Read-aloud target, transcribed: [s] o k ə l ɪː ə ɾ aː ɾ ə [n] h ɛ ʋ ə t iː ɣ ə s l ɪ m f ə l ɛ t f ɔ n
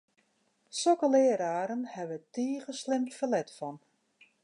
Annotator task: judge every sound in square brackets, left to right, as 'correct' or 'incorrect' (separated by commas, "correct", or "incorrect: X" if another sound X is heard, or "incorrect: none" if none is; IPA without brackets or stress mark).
correct, correct